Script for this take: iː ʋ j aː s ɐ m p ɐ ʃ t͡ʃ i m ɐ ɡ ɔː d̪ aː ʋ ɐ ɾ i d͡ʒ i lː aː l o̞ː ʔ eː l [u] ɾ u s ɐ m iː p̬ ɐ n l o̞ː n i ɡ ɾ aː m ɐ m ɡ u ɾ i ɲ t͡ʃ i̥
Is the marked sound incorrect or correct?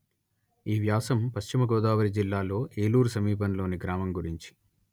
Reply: incorrect